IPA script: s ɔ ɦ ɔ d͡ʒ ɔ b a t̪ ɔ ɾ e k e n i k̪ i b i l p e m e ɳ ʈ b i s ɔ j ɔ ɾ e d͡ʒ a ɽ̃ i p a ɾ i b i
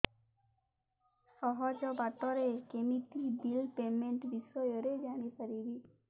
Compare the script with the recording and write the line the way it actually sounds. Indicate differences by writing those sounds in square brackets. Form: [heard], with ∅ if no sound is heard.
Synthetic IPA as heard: s ɔ ɦ ɔ d͡ʒ ɔ b a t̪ ɔ ɾ e k e [m] i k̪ i b i l p e m e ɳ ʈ b i s ɔ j ɔ ɾ e d͡ʒ a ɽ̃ i p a ɾ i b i